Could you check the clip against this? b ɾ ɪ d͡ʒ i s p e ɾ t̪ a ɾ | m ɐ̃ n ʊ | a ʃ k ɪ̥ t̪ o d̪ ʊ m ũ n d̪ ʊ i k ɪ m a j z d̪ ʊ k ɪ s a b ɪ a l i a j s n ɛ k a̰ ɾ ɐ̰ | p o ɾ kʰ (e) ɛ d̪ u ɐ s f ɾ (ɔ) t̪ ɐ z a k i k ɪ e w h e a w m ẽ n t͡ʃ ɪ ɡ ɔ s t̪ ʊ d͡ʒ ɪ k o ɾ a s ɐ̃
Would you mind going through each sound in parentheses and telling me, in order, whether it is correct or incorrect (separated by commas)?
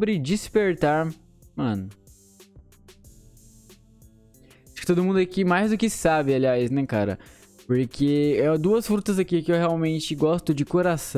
correct, incorrect